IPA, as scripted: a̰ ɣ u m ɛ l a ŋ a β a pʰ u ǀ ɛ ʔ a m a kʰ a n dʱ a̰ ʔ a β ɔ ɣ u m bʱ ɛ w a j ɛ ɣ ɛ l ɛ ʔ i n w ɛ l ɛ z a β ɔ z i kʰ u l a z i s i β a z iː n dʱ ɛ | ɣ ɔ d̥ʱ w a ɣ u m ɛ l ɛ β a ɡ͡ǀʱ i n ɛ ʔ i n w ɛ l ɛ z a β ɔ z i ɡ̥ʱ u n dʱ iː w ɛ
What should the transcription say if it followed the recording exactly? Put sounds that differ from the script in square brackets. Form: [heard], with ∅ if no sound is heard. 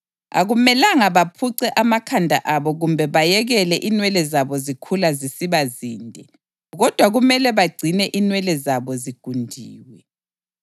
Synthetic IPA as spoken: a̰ ɣ u m ɛ l a ŋ a β a pʰ u ǀ ɛ ʔ a m a kʰ a n dʱ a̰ ʔ a β ɔ ɣ u m bʱ ɛ [β] a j ɛ ɣ ɛ l ɛ ʔ i n w ɛ l ɛ z a β ɔ z i kʰ u l a z i s i β a z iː n dʱ ɛ | ɣ ɔ d̥ʱ w a ɣ u m ɛ l ɛ β a ɡ͡ǀʱ i n ɛ ʔ i n w ɛ l ɛ z a β ɔ z i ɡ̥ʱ u n dʱ iː w ɛ